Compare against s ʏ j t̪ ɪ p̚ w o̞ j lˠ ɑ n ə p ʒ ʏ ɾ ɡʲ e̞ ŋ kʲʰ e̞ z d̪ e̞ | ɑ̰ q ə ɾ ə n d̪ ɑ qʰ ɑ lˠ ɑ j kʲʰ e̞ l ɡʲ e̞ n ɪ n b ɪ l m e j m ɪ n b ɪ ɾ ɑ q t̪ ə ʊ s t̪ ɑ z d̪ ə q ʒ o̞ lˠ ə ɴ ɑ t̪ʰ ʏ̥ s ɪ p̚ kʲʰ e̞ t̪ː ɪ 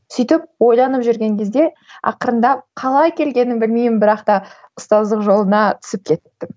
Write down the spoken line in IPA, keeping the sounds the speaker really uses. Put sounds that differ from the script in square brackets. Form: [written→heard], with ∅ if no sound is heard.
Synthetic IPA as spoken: s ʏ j t̪ ɪ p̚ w o̞ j lˠ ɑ n ə p ʒ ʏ ɾ ɡʲ e̞ ŋ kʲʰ e̞ z d̪ e̞ | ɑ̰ q ə ɾ ə n d̪ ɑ qʰ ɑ lˠ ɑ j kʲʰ e̞ l ɡʲ e̞ n ɪ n b ɪ l m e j m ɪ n b ɪ ɾ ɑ q t̪ [ə→ɑ] ʊ s t̪ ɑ z d̪ ə q ʒ o̞ lˠ ə [ɴ→n] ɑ t̪ʰ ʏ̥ s ɪ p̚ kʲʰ e̞ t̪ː ɪ

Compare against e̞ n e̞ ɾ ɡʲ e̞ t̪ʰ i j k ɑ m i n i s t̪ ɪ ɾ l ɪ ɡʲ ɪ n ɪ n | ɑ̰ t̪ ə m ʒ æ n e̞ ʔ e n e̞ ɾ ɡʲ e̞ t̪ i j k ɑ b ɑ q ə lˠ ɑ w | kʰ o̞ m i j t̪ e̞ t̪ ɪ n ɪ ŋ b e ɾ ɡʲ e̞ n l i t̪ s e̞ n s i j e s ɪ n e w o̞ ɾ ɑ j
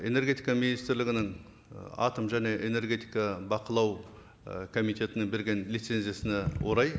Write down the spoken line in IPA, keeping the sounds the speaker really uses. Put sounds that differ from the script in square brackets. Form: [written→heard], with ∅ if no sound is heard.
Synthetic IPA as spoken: e̞ n e̞ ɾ ɡʲ e̞ [t̪ʰ→t̪] i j k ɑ m i n i s t̪ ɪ ɾ l ɪ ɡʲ ɪ n ɪ [n→ŋ] | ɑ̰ t̪ ə m ʒ æ n e̞ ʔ e n e̞ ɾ ɡʲ e̞ t̪ i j k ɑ b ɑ q ə lˠ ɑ w | kʰ o̞ m i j t̪ e̞ t̪ ɪ n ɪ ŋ b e ɾ ɡʲ e̞ n l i t̪ s e̞ n [s→z] i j [e→a] s ɪ n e w o̞ ɾ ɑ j

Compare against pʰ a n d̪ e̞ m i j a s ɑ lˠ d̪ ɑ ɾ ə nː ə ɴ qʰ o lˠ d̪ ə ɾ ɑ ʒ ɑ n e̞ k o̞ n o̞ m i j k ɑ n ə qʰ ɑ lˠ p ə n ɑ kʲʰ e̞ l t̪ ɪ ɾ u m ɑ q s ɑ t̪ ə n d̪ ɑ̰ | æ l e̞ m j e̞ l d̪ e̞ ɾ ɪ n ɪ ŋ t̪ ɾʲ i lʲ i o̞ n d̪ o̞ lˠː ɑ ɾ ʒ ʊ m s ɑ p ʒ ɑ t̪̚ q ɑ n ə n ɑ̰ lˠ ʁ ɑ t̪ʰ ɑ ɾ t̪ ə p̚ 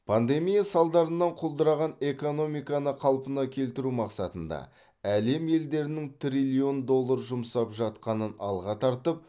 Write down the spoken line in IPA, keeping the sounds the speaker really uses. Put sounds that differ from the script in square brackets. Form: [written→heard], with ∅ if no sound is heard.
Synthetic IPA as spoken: pʰ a n d̪ e̞ m i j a s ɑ lˠ d̪ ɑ ɾ ə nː [ə→ɑ] ɴ qʰ o lˠ d̪ ə ɾ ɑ [ʒ→ʁ] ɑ n e̞ k o̞ n o̞ m i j k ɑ n ə qʰ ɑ lˠ p ə n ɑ kʲʰ e̞ l t̪ ɪ ɾ u m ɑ q s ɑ t̪ ə n d̪ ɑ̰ | æ l e̞ m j e̞ l d̪ e̞ ɾ ɪ n ɪ ŋ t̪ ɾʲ i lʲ i o̞ n d̪ o̞ lˠː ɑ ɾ ʒ ʊ m s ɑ p ʒ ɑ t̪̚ q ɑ n ə n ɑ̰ lˠ ʁ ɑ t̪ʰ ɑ ɾ t̪ ə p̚

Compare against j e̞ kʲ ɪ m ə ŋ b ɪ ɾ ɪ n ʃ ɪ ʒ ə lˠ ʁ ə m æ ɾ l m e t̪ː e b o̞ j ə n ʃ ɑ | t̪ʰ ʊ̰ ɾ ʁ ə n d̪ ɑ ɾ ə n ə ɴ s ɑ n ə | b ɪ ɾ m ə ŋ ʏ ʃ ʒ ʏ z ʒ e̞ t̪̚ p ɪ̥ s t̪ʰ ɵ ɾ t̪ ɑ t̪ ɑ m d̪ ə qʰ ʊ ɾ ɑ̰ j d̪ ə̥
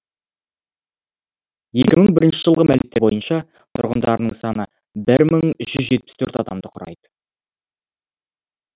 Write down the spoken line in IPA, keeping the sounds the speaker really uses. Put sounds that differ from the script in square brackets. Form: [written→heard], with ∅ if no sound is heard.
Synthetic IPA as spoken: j e̞ kʲ ɪ m ə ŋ b ɪ ɾ ɪ n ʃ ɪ ʒ ə lˠ ʁ ə m æ [ɾ→∅] l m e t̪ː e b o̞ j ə n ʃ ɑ | t̪ʰ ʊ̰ ɾ ʁ ə n d̪ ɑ ɾ ə n ə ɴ s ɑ n ə | b ɪ ɾ m ə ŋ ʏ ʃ ʒ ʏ z ʒ e̞ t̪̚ p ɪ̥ s t̪ʰ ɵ ɾ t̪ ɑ [t̪→d̪] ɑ m d̪ ə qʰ ʊ ɾ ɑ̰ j d̪ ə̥

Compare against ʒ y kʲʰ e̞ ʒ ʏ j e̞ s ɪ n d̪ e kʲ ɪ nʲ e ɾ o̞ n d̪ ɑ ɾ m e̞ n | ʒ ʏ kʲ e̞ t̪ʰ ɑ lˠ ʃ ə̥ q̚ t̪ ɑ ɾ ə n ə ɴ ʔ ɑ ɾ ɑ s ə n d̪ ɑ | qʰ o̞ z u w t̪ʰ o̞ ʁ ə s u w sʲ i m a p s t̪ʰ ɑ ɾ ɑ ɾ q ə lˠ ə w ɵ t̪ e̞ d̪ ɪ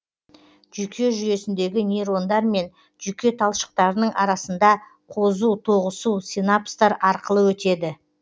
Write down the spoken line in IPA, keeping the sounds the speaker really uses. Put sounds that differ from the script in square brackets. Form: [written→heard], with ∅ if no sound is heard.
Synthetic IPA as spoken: ʒ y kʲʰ e̞ ʒ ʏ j e̞ s ɪ n d̪ e [kʲ→ɡʲ] ɪ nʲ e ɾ o̞ n d̪ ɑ ɾ m e̞ n | ʒ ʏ kʲ e̞ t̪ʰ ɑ lˠ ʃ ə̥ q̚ t̪ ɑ ɾ ə n ə ɴ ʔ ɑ ɾ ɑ s ə n d̪ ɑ | qʰ o̞ z u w t̪ʰ o̞ ʁ ə s u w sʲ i [m→n] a p s [t̪ʰ→t̪] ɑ ɾ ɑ ɾ q ə lˠ ə w ɵ t̪ e̞ d̪ ɪ

